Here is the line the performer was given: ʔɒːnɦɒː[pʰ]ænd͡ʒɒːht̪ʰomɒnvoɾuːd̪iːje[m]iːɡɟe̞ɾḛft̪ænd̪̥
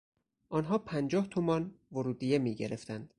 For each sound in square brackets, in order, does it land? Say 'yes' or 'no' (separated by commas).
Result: yes, yes